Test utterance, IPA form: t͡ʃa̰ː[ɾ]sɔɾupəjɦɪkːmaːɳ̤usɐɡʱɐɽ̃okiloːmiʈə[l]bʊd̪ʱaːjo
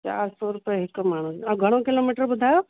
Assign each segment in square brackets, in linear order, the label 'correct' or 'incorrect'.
correct, incorrect

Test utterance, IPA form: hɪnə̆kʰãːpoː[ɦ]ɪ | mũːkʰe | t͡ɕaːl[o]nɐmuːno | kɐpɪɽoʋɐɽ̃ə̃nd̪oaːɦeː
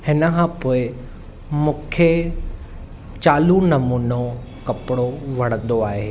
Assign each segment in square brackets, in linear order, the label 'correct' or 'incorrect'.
incorrect, incorrect

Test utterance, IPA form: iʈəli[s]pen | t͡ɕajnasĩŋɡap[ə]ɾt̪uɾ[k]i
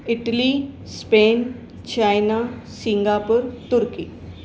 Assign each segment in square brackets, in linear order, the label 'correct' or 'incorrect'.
correct, correct, correct

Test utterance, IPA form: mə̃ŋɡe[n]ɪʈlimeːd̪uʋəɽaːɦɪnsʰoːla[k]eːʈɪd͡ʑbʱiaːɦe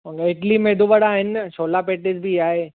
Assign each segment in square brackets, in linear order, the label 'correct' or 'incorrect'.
incorrect, incorrect

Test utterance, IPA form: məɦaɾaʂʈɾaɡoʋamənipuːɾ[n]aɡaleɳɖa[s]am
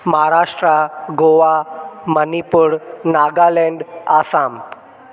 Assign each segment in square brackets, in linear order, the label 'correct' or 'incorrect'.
correct, correct

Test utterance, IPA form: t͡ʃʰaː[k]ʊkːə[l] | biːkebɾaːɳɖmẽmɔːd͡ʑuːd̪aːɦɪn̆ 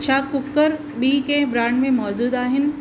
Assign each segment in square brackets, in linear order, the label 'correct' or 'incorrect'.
correct, incorrect

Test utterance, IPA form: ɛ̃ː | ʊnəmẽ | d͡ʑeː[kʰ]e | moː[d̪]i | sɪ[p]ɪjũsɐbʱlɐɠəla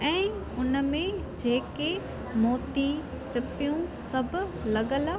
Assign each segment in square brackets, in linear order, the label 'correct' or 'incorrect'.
incorrect, incorrect, correct

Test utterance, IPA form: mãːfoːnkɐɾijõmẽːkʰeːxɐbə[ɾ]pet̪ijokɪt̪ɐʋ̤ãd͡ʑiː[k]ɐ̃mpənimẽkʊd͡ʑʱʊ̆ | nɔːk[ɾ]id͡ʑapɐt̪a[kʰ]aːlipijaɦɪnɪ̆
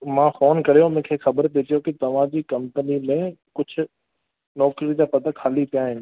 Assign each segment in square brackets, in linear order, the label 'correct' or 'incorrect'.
correct, correct, correct, correct

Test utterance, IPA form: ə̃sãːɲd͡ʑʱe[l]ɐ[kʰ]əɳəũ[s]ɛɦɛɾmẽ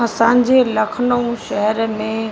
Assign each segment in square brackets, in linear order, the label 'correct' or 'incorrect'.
correct, correct, incorrect

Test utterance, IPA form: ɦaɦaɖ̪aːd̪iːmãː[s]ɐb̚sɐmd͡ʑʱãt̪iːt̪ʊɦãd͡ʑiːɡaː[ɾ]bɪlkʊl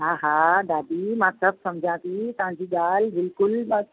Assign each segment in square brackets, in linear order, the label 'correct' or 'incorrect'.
correct, incorrect

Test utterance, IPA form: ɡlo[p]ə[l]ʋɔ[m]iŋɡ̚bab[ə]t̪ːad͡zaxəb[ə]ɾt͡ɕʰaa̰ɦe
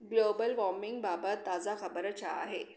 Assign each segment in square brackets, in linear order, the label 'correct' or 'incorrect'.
incorrect, correct, correct, correct, correct

